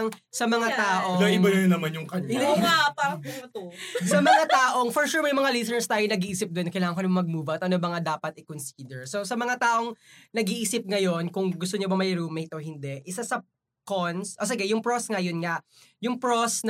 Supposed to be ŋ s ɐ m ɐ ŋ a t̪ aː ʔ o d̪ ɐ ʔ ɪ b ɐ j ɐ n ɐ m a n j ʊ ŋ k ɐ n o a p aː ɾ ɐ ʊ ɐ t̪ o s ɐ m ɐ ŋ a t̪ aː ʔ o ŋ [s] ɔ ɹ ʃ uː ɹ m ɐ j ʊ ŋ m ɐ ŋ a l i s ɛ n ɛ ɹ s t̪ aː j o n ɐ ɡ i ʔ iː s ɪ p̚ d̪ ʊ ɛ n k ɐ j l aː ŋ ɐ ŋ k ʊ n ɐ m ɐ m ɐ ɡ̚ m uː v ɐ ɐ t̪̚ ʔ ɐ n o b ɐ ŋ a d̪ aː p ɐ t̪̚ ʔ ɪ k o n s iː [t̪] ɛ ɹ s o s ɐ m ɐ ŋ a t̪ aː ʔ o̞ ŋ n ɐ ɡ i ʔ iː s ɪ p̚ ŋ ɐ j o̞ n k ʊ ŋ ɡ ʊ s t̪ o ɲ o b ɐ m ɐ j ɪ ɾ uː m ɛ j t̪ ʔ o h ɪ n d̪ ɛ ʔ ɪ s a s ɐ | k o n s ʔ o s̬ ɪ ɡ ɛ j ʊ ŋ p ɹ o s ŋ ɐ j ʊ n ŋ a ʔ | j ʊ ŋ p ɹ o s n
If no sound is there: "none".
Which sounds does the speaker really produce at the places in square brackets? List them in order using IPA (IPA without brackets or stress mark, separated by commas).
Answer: f, d̪